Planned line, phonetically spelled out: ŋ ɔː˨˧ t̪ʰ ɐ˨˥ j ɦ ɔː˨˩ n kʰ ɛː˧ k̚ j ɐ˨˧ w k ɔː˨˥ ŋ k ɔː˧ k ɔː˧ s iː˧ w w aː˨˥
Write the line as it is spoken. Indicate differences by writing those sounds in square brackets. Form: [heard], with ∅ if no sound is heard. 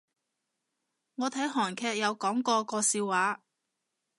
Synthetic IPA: ŋ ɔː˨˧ t̪ʰ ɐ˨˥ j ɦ ɔː˨˩ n kʰ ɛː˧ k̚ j ɐ˨˧ w k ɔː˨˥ ŋ k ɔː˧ k ɔː˧ s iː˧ w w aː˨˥

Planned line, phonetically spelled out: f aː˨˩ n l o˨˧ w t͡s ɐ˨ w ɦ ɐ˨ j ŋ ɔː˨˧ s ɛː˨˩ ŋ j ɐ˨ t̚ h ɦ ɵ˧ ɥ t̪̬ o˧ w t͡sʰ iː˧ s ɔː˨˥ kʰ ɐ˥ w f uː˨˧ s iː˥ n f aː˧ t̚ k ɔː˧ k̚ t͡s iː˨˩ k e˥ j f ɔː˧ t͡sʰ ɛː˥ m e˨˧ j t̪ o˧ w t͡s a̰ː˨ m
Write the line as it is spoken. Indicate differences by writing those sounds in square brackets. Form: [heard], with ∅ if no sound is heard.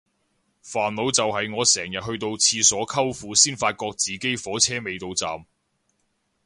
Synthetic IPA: f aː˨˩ n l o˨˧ w t͡s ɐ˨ w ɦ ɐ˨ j ŋ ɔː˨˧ s ɛː˨˩ ŋ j ɐ˨ t̚ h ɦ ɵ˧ ɥ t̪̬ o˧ w t͡sʰ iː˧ s ɔː˨˥ kʰ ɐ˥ w f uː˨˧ s iː˥ n f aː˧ t̚ k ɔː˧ k̚ t͡s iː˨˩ k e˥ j f [ɔː˨˥] t͡sʰ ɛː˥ m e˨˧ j t̪ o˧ w t͡s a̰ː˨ m

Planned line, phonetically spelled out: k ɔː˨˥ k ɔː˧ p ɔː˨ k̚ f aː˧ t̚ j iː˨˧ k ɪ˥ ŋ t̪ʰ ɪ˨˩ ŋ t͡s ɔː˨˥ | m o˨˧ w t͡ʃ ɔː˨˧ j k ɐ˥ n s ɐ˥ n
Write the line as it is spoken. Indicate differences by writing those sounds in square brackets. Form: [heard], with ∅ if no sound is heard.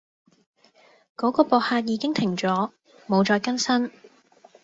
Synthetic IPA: k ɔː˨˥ k ɔː˧ p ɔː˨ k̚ [h] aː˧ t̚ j iː˨˧ k ɪ˥ ŋ t̪ʰ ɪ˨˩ ŋ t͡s ɔː˨˥ | m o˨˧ w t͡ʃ ɔː˨˧ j k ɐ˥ n s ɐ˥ n

